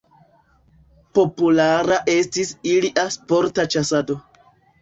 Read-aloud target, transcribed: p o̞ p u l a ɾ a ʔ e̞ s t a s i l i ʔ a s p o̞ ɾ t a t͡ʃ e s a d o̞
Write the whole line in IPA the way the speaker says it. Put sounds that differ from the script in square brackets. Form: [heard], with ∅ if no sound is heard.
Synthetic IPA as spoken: p o̞ p u l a ɾ a ʔ e̞ s t [i] s i l i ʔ a s p o̞ ɾ t a t͡ʃ [a] s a d o̞